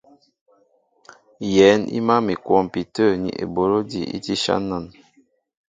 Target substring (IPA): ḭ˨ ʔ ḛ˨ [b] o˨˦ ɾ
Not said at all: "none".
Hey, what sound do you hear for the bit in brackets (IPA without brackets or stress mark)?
b